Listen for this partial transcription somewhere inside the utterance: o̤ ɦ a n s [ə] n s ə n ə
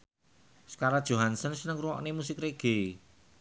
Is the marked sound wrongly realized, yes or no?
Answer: no